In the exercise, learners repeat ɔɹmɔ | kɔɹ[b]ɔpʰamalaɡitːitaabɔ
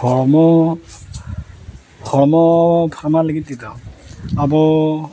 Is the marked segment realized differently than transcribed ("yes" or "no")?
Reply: yes